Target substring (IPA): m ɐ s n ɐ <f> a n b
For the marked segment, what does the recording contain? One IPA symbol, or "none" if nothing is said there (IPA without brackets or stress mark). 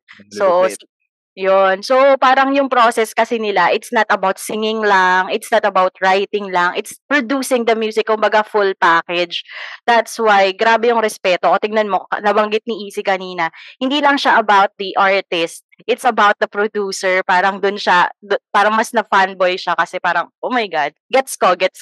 f